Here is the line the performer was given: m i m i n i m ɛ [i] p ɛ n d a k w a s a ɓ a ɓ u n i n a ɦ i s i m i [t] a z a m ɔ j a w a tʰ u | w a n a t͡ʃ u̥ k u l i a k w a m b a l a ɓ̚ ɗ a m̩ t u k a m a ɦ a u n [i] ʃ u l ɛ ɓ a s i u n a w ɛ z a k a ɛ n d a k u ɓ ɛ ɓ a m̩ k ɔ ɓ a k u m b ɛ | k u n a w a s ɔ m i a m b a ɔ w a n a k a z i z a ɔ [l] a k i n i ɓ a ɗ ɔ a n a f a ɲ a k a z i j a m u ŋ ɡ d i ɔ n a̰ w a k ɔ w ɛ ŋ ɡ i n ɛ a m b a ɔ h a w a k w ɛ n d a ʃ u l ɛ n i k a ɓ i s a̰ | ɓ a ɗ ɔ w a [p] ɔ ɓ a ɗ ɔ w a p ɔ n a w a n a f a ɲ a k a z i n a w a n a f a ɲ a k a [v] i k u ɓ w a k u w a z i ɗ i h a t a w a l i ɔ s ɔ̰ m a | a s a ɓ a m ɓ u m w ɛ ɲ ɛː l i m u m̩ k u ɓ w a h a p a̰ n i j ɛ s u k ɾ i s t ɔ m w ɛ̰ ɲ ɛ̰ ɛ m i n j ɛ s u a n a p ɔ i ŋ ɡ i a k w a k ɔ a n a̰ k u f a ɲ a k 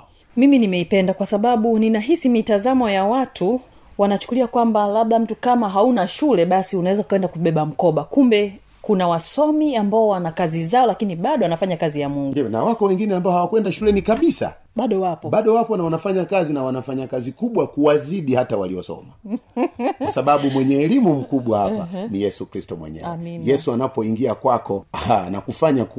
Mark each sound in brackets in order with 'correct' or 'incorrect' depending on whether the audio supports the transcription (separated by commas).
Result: correct, correct, incorrect, correct, correct, incorrect